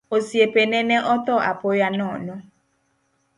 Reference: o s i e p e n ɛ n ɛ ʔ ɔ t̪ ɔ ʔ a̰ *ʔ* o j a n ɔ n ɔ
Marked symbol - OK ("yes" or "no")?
no